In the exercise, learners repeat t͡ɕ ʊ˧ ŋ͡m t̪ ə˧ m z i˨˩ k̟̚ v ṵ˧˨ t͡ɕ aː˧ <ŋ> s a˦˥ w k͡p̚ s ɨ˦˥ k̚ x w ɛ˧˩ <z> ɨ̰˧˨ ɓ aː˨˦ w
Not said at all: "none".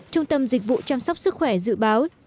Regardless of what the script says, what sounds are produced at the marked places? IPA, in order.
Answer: m, z

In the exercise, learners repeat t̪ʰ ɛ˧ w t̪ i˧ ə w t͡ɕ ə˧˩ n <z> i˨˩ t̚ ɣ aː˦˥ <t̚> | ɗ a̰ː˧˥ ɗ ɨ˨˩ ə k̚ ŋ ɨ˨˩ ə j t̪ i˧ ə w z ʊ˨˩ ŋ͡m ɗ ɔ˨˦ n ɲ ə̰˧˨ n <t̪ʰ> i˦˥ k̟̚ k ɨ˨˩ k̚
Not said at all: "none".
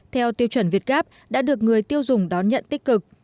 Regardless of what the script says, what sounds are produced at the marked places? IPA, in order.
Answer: v, p̚, t̪

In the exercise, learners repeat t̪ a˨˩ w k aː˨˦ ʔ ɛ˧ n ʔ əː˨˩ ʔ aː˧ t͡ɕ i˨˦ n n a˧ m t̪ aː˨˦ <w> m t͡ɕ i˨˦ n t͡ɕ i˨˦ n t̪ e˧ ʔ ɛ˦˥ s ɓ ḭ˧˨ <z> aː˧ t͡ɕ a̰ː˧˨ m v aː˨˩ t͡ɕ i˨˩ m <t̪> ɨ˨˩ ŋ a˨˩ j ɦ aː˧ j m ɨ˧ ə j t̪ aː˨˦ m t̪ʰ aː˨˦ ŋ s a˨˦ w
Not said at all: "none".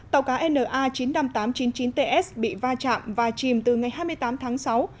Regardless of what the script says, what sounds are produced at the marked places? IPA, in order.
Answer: none, v, t̪

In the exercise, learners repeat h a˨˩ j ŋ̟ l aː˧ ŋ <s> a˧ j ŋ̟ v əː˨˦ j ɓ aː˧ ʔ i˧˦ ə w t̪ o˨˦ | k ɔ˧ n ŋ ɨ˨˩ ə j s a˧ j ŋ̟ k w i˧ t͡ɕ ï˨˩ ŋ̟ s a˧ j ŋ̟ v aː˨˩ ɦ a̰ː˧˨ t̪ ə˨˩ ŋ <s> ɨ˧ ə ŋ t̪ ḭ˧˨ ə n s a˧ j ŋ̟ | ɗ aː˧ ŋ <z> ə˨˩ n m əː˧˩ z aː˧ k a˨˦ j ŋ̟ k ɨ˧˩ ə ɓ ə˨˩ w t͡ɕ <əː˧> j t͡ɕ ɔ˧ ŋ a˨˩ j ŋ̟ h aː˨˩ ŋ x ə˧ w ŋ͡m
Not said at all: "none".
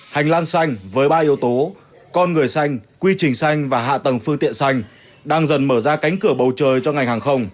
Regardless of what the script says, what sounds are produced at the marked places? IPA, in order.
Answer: s, f, z, əː˨˩

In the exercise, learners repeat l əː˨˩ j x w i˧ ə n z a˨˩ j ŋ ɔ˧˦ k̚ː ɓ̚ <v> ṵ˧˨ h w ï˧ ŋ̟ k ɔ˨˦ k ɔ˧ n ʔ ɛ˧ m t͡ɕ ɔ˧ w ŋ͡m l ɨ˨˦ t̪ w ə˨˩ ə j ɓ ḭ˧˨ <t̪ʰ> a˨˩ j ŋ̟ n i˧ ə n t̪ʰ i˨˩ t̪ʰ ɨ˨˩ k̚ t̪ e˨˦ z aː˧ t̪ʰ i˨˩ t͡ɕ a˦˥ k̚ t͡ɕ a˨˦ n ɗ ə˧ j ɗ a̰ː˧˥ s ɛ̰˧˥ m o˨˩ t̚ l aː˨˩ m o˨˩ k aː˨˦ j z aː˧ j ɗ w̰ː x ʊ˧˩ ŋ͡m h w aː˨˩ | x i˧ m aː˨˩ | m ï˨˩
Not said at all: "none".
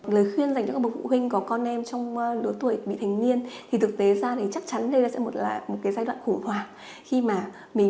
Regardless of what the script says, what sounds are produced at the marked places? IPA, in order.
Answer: f, t̪ʰ

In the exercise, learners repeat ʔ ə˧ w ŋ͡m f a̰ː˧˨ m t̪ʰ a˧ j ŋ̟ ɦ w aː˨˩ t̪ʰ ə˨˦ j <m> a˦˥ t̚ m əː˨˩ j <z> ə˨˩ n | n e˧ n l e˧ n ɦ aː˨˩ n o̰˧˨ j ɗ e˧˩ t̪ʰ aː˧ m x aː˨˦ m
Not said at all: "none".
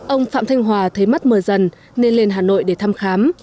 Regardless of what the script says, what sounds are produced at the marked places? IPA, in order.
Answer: m, z

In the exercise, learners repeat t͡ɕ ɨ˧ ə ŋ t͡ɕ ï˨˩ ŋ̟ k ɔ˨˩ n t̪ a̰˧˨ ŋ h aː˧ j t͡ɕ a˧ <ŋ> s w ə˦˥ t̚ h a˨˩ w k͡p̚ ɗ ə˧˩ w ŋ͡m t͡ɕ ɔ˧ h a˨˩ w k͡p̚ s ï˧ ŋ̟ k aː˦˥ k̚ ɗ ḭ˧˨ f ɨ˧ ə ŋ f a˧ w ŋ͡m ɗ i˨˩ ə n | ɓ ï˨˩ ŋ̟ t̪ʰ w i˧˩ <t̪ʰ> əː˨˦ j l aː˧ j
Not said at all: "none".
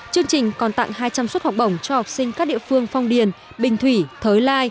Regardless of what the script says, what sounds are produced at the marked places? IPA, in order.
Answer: m, t̪ʰ

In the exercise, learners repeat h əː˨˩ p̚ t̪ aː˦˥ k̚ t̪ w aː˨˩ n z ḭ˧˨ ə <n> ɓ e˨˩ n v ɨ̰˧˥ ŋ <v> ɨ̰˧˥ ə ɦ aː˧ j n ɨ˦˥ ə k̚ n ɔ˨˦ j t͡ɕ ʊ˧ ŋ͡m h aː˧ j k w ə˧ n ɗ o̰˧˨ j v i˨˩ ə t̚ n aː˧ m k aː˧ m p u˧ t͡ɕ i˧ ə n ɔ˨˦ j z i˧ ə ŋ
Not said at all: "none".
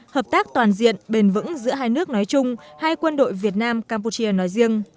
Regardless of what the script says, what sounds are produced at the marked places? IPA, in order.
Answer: n, z

